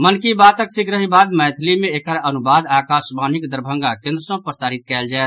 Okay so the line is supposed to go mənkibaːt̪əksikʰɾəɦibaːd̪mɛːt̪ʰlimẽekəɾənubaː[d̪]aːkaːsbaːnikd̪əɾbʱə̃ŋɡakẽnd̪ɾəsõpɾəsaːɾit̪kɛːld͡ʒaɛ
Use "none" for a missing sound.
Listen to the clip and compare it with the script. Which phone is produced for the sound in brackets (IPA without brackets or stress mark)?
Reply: d̪